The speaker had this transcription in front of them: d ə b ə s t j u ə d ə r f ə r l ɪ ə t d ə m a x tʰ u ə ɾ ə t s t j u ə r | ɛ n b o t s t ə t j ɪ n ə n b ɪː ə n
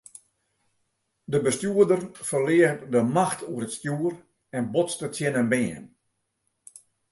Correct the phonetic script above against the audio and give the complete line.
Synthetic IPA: d ə b ə s t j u ə d ə r f ə r l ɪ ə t d ə m a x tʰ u ə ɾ ə t s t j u ə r | ɛ n b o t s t ə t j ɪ n ə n b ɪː ə n

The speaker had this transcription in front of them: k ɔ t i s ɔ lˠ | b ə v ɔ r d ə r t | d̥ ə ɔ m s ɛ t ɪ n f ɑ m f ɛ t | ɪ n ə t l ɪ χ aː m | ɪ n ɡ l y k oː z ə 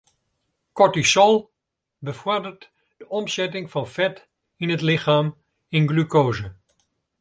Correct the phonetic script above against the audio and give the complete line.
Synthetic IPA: k ɔ t i s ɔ lˠ | b ə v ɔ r d ə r t | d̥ ə ɔ m s ɛ t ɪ ŋ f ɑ n f ɛ t | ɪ n ə t l ɪ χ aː m | ɪ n ɡ l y k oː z ə

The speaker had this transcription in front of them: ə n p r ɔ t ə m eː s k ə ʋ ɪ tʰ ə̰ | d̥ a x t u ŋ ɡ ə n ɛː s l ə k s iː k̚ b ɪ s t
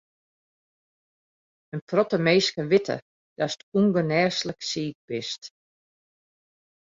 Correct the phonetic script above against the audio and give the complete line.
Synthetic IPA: ə n p r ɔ t ə m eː s k ə ʋ ɪ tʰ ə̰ | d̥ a s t u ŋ ɡ ə n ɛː s l ə k s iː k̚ b ɪ s t

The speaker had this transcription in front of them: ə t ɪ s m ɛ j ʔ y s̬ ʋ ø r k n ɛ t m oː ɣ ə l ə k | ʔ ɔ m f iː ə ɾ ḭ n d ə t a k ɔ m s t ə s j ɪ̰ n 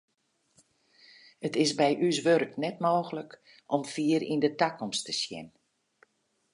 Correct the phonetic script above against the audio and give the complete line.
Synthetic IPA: ə t ɪ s b ɛ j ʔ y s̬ ʋ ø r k n ɛ t m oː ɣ ə l ə k | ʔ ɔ m f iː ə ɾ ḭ n d ə t a k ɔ m s t ə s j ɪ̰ n

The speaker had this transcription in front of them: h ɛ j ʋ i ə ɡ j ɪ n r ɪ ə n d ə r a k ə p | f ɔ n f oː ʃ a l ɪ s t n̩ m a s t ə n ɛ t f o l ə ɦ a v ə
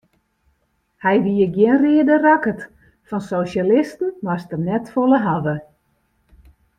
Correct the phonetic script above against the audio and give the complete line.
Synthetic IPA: h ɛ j ʋ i ə ɡ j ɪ n r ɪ ə d ə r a k ə t | f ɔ n s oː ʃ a l ɪ s t n̩ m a s t ə n ɛ t f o l ə ɦ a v ə

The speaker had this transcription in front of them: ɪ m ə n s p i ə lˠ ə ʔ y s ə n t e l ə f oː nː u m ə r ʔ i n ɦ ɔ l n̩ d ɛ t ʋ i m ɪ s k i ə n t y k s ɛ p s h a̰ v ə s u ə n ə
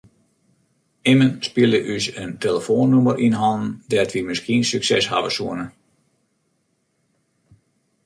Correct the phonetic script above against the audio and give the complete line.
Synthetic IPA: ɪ m ə n s p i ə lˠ ə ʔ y s ə n t e l ə f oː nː u m ə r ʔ i n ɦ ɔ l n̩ d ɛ t ʋ i m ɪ s k i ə n s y k s ɛ s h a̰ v ə s u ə n ə

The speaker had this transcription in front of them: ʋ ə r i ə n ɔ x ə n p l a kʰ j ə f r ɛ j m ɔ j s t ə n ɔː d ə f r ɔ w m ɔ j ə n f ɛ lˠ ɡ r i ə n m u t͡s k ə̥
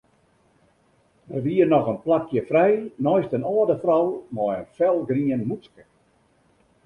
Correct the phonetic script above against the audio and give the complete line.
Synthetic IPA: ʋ ə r i ə n ɔ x ə n p l a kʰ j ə f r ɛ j n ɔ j s t ə n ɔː d ə f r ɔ w m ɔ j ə n f ɛ lˠ ɡ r i ə n m u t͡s k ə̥

